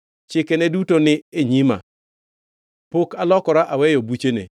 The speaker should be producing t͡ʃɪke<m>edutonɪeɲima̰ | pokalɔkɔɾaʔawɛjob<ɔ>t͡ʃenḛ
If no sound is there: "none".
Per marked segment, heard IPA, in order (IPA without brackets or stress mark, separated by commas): n, u